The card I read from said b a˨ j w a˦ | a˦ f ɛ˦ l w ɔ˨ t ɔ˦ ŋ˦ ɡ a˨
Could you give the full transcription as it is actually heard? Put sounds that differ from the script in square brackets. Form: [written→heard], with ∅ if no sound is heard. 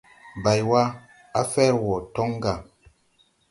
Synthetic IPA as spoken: b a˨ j w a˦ | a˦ f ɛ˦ [l→ɾ] w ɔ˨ t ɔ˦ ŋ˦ ɡ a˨